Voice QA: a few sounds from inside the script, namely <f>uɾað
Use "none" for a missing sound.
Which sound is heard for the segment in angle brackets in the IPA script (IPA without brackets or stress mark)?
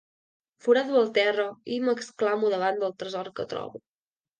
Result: f